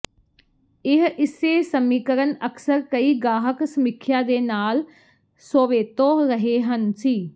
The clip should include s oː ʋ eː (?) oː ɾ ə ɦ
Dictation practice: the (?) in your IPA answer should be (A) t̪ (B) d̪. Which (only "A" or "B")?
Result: A